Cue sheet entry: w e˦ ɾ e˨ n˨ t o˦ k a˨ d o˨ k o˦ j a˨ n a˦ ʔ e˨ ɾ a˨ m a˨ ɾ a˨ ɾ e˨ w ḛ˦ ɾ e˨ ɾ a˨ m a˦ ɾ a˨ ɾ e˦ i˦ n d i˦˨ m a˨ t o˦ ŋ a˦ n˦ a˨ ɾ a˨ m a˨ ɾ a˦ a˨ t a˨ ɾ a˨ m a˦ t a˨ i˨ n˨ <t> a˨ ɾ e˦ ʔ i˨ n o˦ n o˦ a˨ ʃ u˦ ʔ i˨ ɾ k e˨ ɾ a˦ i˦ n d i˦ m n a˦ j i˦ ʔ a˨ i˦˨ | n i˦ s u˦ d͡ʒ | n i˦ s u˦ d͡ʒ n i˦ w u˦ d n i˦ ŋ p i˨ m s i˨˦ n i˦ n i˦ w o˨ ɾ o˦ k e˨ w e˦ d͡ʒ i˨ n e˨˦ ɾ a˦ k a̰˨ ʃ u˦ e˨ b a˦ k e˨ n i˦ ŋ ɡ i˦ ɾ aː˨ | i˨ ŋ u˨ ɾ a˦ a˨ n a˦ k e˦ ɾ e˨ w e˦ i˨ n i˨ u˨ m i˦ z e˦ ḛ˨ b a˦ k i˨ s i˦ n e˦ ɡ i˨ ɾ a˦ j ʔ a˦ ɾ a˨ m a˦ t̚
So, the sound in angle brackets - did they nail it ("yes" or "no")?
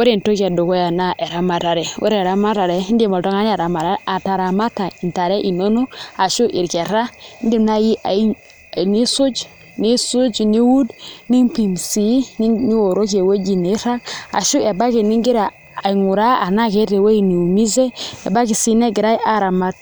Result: yes